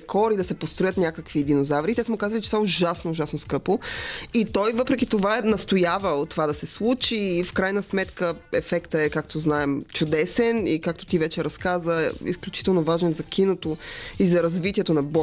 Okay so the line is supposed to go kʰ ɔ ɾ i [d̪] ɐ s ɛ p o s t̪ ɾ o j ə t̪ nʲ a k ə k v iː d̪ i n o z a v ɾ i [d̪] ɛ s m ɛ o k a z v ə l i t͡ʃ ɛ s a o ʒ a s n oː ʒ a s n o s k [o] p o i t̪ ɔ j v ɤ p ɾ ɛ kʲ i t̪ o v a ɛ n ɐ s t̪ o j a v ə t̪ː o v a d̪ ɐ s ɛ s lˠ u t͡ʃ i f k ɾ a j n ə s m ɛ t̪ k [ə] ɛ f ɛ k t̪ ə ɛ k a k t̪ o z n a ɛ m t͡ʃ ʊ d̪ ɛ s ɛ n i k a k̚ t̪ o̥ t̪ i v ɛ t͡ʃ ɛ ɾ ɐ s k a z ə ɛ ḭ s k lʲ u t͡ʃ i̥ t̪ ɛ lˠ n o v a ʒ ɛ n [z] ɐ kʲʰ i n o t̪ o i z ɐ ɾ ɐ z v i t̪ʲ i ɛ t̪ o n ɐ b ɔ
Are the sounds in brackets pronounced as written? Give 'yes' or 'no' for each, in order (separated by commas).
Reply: yes, no, no, yes, yes